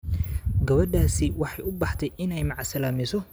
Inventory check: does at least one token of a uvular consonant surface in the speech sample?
no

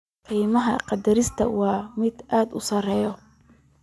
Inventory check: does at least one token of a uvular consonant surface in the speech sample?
yes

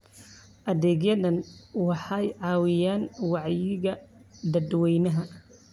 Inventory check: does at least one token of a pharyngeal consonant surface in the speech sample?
yes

